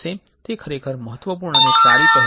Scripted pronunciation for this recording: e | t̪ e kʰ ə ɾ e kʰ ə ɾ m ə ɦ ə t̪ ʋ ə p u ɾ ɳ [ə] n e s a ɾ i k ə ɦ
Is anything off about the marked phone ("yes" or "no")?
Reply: no